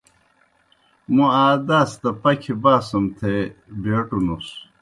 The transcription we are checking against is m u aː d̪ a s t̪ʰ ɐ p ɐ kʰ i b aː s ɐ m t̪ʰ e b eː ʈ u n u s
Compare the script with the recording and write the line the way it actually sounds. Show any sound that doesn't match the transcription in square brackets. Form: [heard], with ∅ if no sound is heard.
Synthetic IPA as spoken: m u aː d̪ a s [t̪] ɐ p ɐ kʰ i b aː s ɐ m t̪ʰ e b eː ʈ u n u s